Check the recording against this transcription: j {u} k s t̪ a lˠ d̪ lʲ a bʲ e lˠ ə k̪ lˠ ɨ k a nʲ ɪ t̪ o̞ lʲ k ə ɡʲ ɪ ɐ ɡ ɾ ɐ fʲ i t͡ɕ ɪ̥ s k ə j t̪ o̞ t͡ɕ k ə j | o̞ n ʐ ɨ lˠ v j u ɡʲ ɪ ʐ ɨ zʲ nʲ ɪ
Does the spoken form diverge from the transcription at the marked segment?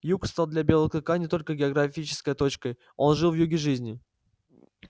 no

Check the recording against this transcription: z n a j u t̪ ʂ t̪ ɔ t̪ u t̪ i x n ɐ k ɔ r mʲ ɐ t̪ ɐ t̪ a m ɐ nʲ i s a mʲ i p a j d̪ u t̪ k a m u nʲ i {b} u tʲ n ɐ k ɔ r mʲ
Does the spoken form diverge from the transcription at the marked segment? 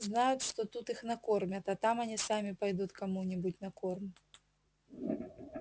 no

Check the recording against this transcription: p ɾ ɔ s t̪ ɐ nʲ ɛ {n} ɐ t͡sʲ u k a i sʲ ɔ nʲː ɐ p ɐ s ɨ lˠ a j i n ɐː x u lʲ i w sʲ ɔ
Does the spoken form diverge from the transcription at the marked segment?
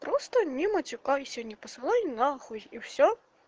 yes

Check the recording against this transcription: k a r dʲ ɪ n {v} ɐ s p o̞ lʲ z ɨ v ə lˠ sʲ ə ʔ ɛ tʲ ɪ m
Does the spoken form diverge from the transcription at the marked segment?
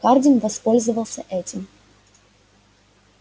no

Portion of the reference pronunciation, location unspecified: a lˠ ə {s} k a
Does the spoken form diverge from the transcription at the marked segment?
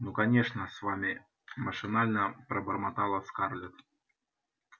no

